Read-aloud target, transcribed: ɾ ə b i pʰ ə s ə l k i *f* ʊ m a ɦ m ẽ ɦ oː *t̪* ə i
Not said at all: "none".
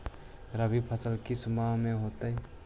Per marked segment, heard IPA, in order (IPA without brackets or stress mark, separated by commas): s, t̪